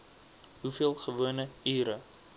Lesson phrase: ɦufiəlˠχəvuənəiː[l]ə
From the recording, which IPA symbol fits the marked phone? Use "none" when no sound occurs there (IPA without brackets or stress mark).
ɾ